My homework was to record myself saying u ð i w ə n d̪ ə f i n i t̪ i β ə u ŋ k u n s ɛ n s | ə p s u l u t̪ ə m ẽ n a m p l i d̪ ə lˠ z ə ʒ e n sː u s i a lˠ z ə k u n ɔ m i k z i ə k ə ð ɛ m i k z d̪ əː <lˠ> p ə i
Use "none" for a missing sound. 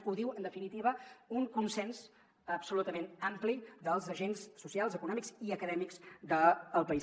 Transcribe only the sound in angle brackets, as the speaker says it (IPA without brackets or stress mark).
lˠ